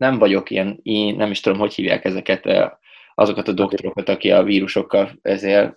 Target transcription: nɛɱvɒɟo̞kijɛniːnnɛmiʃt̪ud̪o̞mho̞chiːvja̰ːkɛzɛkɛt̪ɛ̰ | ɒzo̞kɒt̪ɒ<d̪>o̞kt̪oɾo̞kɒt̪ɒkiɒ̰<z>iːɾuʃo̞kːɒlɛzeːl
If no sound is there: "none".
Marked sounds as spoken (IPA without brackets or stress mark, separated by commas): d̪, v